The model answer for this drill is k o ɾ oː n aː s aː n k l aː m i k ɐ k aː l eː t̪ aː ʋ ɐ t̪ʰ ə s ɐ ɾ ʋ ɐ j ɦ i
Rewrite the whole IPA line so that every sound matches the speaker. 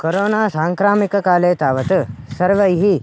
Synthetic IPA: k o ɾ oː n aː s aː ŋ k ɾ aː m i k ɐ k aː l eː t̪ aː ʋ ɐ t̪ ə s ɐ ɾ ʋ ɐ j ɦ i